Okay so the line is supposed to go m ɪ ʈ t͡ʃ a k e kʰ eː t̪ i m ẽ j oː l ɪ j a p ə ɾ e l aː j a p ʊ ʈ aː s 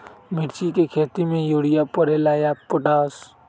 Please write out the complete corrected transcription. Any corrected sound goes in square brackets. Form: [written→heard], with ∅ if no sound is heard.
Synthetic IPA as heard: m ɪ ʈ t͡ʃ [a→i] k e kʰ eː t̪ i m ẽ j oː [l→ɽ] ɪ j a p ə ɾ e l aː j a p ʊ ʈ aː s